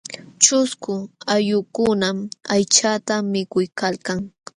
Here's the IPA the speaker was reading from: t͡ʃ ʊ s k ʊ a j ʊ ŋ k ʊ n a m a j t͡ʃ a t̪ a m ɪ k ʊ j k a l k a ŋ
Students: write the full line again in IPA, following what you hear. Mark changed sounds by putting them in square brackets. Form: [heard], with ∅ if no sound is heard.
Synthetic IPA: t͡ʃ ʊ s k ʊ a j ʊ [∅] k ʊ n a m a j t͡ʃ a t̪ a m ɪ k ʊ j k a l k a ŋ